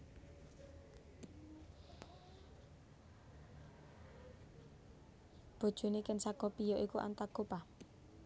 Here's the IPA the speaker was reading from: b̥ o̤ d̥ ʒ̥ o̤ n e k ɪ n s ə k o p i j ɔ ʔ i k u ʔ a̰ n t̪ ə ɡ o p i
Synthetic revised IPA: b̥ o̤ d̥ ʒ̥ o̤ n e k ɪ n s a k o p i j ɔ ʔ i k u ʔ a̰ n t̪ a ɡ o p a